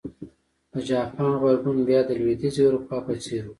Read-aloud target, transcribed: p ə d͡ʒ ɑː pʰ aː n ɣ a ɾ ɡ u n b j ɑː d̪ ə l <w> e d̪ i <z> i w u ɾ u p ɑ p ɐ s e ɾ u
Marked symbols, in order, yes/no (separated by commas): yes, yes